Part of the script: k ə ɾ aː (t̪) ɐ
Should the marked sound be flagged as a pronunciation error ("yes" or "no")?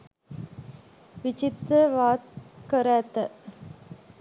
no